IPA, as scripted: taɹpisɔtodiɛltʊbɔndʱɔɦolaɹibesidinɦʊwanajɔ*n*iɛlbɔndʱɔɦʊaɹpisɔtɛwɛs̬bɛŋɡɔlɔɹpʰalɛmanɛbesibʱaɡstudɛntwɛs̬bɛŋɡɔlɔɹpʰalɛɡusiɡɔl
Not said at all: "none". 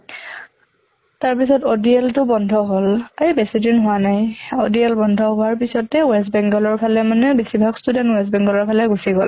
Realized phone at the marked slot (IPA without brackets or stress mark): d